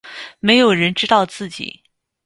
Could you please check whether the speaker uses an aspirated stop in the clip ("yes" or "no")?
no